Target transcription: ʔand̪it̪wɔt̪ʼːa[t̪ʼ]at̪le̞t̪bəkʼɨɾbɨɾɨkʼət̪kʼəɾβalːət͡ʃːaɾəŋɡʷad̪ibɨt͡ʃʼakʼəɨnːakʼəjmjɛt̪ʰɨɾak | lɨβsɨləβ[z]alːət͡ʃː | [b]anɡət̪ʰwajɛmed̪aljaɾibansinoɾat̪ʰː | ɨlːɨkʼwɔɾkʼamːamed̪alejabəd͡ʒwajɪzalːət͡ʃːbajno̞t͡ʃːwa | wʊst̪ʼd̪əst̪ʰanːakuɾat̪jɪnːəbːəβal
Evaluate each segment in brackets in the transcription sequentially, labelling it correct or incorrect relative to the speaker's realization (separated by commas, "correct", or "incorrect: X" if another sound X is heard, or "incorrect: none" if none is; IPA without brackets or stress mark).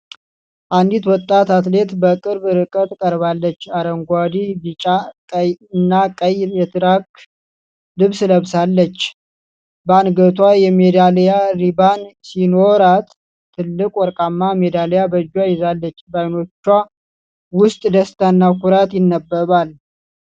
incorrect: t̪, incorrect: s, correct